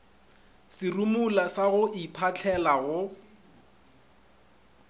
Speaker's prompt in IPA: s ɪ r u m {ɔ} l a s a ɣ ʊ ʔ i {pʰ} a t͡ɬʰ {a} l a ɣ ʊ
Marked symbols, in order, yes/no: no, yes, no

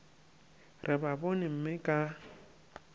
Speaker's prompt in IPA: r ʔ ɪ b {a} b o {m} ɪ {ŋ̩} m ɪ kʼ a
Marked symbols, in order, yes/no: yes, no, no

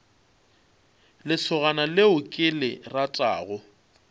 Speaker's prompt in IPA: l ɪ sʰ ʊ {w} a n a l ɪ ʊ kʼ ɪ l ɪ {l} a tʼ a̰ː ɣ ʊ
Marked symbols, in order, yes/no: no, no

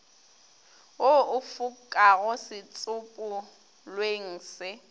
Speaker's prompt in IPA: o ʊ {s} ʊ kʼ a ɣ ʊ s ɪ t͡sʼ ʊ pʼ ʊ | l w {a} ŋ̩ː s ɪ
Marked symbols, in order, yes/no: no, no

